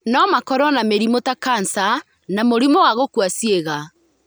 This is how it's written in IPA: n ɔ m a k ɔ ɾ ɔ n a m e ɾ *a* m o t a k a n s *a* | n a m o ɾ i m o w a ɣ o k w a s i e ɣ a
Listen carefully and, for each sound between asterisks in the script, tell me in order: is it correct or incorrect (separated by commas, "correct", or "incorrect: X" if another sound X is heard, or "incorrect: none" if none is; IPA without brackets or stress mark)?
incorrect: i, correct